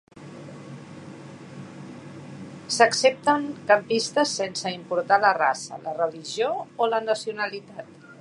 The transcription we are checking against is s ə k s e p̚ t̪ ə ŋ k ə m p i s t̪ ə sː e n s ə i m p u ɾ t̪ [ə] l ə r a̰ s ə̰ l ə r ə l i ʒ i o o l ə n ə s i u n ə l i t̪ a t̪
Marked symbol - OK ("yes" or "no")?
no